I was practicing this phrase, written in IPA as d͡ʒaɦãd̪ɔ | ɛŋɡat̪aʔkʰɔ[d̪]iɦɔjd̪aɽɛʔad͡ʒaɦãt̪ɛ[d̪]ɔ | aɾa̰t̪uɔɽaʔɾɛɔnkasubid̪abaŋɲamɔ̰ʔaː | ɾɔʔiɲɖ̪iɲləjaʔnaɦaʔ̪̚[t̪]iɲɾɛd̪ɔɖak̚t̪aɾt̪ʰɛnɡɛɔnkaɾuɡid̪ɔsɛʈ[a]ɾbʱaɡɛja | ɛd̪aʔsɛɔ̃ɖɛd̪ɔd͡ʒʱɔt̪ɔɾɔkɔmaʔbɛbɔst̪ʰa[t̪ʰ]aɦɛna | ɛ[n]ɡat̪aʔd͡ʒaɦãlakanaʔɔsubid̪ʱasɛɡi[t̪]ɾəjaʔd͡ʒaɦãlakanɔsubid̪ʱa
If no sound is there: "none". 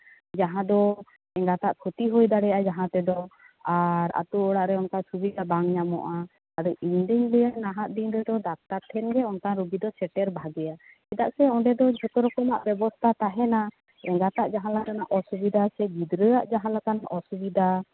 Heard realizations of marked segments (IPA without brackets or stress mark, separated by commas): t̪, d̪, d̪, ɛ, t̪, ŋ, d̪